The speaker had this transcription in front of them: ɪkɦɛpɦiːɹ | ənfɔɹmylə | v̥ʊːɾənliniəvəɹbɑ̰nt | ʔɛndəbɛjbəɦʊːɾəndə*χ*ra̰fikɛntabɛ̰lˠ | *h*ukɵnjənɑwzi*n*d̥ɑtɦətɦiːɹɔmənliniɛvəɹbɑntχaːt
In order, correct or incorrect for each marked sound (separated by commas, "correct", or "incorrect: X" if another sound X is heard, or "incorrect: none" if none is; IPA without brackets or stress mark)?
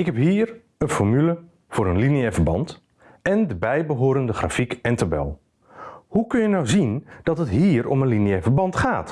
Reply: correct, correct, correct